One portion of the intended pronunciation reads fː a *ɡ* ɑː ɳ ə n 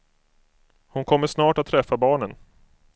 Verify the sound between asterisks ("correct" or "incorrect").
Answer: incorrect